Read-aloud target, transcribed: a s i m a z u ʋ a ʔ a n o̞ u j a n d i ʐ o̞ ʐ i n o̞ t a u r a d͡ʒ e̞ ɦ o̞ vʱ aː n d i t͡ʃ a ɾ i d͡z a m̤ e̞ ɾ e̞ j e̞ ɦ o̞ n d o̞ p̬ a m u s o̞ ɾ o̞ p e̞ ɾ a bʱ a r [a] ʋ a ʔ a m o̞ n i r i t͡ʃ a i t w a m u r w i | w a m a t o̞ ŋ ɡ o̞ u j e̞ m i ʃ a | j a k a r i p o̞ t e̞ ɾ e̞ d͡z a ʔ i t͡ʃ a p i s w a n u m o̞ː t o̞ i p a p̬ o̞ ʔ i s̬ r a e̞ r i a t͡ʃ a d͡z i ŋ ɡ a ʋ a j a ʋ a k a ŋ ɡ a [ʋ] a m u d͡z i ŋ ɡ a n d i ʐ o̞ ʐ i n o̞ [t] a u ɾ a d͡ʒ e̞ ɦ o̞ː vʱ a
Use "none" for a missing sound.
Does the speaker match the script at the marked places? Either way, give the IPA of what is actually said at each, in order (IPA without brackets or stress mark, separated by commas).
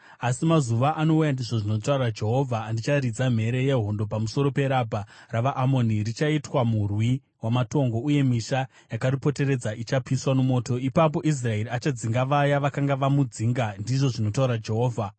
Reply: a, ʋ, t